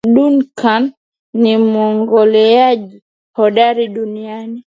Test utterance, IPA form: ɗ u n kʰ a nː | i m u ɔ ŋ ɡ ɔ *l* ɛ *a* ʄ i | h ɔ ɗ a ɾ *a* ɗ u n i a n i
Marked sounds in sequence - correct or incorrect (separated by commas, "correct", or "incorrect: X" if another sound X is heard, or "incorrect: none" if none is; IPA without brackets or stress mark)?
correct, correct, incorrect: i